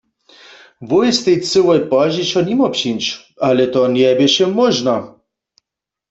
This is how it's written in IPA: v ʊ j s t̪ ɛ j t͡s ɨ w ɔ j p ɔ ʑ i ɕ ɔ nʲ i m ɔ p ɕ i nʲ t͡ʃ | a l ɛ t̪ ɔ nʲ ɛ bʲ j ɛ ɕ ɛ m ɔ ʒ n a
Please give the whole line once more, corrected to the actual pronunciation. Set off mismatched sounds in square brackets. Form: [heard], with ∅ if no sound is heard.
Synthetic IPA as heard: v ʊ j s t̪ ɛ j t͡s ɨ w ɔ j p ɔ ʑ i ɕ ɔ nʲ i m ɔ p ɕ i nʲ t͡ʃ | a l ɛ t̪ ɔ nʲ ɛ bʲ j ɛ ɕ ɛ m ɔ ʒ n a